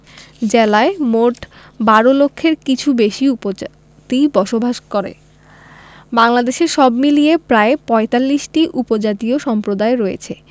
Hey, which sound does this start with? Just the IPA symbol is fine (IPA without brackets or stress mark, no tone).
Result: d͡ʑ